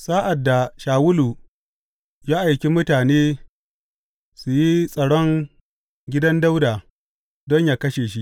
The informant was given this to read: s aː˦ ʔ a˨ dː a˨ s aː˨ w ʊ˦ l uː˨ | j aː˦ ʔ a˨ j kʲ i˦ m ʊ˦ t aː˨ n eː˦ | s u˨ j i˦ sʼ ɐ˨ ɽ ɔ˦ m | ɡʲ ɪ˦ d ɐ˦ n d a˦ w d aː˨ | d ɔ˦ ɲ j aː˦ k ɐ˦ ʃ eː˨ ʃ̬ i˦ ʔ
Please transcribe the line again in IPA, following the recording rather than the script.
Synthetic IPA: s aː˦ ʔ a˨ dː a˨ ʃ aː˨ w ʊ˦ l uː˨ | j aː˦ ʔ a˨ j kʲ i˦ m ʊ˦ t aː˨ n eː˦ | s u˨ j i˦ sʼ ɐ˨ ɽ ɔ˦ ŋ | ɡʲ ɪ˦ d ɐ˦ n d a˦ w d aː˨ | d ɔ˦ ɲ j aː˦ k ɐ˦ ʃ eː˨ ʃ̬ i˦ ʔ